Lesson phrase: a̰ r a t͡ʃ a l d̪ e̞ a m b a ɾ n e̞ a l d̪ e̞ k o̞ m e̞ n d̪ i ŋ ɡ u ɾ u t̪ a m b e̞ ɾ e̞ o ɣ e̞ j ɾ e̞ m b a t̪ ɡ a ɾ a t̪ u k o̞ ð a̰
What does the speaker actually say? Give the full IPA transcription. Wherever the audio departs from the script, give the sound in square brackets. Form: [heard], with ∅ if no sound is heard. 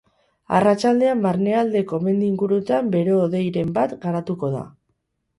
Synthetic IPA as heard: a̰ r a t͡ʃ a l d̪ e̞ a m b a ɾ n e̞ a l d̪ e̞ k o̞ m e̞ n d̪ i ŋ ɡ u ɾ u t̪ a m b e̞ ɾ e̞ o [ð] e̞ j ɾ e̞ m b a t̪ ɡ a ɾ a t̪ u k o̞ ð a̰